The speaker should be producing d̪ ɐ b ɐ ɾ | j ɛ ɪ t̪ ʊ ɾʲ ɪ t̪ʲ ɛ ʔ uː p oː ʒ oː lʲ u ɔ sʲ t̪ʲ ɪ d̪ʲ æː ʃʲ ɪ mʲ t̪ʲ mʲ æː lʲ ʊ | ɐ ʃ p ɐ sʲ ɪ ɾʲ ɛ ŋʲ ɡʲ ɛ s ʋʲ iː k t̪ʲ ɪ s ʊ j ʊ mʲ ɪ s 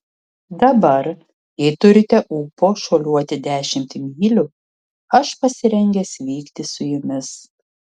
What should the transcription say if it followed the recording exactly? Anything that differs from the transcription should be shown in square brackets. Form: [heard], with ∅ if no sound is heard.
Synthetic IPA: d̪ ɐ b ɐ ɾ | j ɛ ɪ t̪ ʊ ɾʲ ɪ t̪ʲ ɛ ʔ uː p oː [ʃ] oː lʲ u ɔ [∅] t̪ʲ ɪ d̪ʲ æː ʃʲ ɪ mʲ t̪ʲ mʲ [iː] lʲ ʊ | ɐ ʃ p ɐ sʲ ɪ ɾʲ ɛ ŋʲ ɡʲ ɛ s ʋʲ iː k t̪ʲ ɪ s ʊ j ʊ mʲ ɪ s